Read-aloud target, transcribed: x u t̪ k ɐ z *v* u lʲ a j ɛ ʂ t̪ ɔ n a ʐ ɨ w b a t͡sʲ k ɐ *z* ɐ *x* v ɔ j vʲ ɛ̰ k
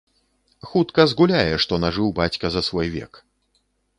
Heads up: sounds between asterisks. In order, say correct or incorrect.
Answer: incorrect, correct, incorrect

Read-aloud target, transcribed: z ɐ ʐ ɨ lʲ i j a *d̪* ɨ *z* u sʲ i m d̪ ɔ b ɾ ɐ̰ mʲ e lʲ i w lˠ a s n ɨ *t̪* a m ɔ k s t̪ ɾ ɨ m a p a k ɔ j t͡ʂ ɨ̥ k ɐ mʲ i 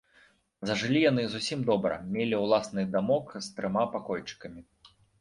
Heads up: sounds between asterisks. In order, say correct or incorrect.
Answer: incorrect, correct, incorrect

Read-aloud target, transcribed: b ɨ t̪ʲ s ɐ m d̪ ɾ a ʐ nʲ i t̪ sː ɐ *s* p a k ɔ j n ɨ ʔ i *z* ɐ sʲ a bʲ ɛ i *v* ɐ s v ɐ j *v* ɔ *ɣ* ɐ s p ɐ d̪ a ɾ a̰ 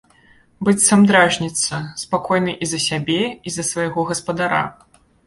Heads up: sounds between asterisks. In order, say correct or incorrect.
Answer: correct, correct, incorrect, incorrect, correct

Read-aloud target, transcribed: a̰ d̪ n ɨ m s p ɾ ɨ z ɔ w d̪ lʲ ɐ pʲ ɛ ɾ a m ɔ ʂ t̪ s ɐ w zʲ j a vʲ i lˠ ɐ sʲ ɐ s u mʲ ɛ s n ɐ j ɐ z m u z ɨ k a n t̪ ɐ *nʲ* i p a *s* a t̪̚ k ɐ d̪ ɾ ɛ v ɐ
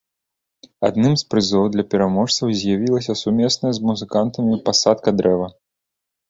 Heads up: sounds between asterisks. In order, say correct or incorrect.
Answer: incorrect, correct

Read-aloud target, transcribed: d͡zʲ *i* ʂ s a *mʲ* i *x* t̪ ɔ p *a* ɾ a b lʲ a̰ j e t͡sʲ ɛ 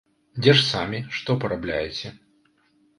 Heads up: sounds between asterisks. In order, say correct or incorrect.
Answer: incorrect, correct, incorrect, incorrect

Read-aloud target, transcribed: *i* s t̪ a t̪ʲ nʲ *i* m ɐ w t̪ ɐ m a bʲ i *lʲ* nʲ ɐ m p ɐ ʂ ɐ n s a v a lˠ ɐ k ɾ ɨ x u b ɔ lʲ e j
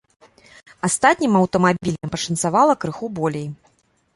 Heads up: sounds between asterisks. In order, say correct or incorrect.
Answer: incorrect, correct, correct

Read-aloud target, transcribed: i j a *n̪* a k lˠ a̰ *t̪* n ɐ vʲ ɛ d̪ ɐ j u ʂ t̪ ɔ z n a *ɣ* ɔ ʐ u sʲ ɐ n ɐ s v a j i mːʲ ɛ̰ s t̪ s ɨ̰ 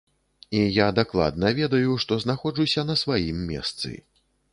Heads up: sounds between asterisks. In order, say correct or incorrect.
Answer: incorrect, incorrect, incorrect

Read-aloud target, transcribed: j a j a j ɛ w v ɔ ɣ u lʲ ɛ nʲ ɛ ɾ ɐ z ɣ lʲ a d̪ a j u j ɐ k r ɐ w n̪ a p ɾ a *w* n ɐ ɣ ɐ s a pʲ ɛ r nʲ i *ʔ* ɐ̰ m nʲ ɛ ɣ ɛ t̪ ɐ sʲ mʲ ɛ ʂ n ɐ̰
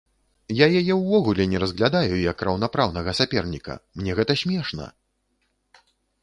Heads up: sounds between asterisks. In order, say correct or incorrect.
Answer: correct, incorrect

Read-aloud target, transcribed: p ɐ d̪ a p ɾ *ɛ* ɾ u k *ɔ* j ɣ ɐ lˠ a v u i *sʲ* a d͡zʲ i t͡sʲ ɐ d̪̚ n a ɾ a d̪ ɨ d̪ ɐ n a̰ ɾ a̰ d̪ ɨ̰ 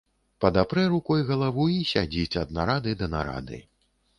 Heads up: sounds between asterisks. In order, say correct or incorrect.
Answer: correct, correct, correct

